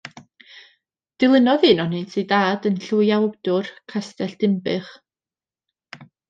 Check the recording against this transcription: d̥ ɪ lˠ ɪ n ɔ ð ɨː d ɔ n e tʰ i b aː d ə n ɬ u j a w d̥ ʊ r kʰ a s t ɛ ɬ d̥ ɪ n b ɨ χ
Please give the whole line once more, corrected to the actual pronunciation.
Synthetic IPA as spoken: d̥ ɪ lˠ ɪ n ɔ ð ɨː n ɔ n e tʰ i d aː d ə n ɬ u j a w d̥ ʊ r kʰ a s t ɛ ɬ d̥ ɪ m b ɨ χ

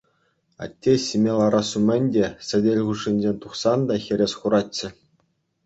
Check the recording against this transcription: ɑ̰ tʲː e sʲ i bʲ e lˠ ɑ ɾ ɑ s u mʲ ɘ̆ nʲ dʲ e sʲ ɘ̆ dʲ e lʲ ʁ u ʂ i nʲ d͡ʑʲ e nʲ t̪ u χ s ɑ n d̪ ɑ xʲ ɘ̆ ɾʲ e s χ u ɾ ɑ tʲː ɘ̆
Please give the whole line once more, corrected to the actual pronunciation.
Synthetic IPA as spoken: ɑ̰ tʲː e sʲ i mʲ e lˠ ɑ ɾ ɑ s u mʲ ɘ̆ nʲ dʲ e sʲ ɘ̆ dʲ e lʲ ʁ u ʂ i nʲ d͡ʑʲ e nʲ t̪ u χ s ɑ n d̪ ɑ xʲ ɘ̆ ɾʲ e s χ u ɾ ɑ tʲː ɘ̆

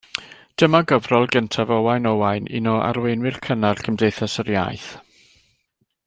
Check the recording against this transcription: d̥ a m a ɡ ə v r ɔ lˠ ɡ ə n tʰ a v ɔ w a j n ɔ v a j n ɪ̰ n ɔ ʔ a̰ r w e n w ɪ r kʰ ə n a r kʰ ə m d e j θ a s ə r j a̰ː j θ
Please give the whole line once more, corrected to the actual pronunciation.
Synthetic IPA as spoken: d̥ ə m a ɡ ə v r ɔ lˠ ɡ ə n tʰ a v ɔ w a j n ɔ w a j n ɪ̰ n ɔ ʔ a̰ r w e n w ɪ r kʰ ə n a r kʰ ə m d e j θ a s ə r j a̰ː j θ

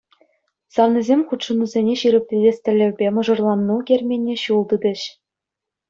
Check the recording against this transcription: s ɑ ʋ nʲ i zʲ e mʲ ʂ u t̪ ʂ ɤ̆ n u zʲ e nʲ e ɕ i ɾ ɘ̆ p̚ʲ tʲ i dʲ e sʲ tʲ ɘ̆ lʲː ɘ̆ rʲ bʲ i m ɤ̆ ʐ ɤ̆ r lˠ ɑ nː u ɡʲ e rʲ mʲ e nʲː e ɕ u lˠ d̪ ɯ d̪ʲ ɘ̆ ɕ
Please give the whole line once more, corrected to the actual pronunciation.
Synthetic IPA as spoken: s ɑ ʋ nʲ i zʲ e mʲ χ u t̪ ʂ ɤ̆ n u zʲ e nʲ e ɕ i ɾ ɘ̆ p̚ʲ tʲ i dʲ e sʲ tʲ ɘ̆ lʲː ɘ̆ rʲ bʲ e m ɤ̆ ʐ ɤ̆ r lˠ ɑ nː u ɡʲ e rʲ mʲ e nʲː e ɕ u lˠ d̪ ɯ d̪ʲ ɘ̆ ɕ

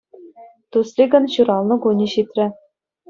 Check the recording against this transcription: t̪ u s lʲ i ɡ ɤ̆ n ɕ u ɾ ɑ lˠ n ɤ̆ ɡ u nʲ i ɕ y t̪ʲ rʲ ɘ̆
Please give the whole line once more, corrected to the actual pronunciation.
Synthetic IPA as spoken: t̪ u s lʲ i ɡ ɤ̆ n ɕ u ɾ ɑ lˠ n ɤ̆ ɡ u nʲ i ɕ i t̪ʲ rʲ ɘ̆

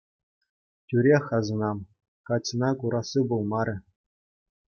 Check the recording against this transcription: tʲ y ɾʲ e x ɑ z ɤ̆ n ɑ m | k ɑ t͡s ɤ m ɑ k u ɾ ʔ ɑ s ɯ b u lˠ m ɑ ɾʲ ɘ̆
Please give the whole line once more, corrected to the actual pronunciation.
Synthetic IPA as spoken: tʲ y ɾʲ e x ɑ z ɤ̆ n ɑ m | k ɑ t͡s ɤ n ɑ k u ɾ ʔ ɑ s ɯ b u lˠ m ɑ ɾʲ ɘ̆

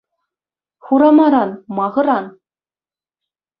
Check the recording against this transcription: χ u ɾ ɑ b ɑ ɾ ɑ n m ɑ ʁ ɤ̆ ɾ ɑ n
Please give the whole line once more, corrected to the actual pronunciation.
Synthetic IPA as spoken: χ u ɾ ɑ m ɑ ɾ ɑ n m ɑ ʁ ɤ̆ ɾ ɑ n

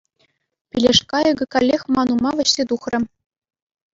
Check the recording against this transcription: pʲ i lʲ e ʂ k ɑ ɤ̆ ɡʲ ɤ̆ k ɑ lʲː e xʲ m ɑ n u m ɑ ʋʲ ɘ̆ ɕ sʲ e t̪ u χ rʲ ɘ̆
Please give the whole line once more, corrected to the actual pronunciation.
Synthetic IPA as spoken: pʲ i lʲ e ʂ k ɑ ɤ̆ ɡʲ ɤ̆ k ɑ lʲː e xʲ m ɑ n u m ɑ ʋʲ ɘ̆ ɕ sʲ e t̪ u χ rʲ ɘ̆

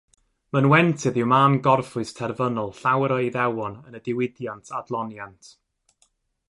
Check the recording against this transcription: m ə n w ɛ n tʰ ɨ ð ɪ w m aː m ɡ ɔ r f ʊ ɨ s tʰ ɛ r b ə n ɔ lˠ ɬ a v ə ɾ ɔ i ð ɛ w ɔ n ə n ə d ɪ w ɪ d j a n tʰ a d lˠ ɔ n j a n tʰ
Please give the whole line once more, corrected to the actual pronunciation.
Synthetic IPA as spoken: m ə n w ɛ n tʰ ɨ ð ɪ w m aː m ɡ ɔ r f ʊ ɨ s tʰ ɛ r v ə n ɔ lˠ ɬ a w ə ɾ ɔ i ð ɛ w ɔ n ə n ə d ɪ w ɪ d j a n tʰ a d lˠ ɔ n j a n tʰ

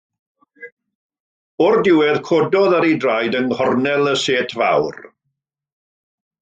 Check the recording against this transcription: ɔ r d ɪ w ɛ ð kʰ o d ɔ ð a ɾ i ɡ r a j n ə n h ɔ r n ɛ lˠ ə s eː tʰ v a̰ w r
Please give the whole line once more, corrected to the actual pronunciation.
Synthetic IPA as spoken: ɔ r d ɪ w ɛ ð kʰ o d ɔ ð a ɾ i d r a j d ə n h ɔ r n ɛ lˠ ə s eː tʰ v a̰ w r

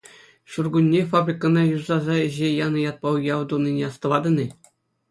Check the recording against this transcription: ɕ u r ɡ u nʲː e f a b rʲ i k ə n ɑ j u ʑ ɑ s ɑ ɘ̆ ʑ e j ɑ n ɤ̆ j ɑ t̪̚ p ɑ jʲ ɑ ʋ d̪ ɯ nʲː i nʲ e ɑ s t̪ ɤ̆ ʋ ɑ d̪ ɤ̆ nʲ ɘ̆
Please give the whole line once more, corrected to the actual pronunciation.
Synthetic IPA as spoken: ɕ u r ɡ u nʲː e f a b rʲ i k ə n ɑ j u z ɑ z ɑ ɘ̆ ʑ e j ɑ n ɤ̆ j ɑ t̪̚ p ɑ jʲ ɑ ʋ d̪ u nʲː i nʲ e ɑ s t̪ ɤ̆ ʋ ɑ d̪ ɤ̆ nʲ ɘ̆

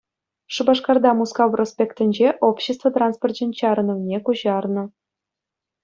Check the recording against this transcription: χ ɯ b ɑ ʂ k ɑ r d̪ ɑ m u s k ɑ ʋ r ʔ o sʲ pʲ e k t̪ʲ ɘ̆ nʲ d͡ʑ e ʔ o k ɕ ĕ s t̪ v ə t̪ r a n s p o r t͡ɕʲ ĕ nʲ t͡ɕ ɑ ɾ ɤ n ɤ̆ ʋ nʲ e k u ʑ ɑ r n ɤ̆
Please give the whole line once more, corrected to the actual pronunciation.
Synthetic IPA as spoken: ʂ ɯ b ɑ ʂ k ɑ r d̪ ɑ m u s k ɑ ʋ r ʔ o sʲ pʲ e k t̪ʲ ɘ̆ nʲ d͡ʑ e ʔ o p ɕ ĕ s t̪ v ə t̪ r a n s p o r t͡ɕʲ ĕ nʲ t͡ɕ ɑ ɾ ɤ n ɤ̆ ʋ nʲ e k u ʑ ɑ r n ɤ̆

